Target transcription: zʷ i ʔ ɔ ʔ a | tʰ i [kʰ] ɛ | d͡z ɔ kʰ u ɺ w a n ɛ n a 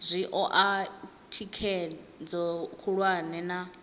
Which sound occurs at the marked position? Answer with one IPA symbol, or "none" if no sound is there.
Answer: kʰ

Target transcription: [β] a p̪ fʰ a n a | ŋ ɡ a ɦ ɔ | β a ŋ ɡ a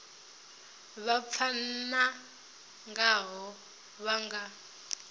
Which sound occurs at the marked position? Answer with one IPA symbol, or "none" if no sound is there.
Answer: β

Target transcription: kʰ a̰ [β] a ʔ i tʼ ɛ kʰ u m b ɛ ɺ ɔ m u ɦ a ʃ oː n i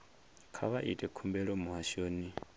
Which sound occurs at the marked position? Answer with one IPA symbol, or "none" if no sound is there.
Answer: β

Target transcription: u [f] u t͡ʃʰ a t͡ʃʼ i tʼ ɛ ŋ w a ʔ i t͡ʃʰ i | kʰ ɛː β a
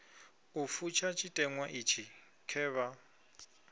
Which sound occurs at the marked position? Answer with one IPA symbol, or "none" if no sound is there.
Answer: f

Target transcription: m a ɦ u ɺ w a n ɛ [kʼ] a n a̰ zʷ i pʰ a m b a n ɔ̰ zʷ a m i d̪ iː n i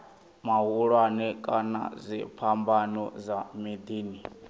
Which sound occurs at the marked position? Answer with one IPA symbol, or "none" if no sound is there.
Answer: kʼ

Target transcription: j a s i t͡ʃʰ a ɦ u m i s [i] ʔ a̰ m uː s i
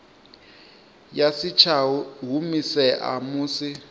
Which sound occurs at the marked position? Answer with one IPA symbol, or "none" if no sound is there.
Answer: ɛ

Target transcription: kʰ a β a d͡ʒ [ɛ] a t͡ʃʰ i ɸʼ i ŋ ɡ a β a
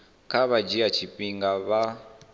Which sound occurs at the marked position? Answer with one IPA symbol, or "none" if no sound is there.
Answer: i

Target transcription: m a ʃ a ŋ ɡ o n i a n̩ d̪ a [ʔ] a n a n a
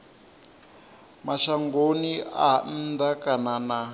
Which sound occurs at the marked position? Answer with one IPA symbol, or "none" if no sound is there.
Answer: k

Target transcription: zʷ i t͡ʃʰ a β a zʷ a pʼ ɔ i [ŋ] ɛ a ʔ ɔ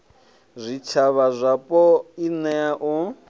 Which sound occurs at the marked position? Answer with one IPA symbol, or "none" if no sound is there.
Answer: n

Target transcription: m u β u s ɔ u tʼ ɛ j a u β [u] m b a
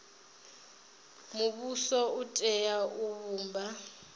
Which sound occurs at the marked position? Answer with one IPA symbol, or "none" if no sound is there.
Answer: uː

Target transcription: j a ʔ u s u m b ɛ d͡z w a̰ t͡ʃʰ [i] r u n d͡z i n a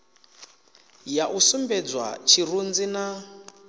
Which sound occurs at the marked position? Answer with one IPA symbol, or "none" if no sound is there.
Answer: i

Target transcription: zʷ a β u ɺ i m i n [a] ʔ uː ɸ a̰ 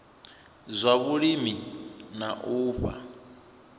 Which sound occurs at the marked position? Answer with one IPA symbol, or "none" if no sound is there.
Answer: a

